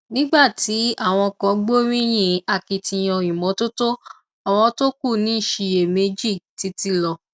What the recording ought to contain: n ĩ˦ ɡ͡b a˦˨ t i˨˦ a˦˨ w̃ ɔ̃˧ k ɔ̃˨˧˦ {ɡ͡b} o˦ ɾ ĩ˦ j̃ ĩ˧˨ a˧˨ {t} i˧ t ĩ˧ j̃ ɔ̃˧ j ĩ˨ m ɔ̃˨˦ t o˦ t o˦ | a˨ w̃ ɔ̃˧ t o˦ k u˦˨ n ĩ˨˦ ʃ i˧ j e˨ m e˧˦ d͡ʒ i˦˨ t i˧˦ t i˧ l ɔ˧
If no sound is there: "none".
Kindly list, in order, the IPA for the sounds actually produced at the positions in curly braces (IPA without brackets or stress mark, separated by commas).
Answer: ɡ͡b, k